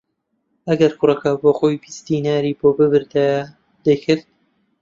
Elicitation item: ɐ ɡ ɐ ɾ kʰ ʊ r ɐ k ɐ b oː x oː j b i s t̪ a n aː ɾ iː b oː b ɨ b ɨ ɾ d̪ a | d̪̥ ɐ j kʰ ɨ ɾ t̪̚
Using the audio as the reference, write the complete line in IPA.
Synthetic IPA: ɐ ɡ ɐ ɾ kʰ ʊ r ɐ k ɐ b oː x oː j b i s t̪ i n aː ɾ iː b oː b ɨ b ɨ ɾ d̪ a | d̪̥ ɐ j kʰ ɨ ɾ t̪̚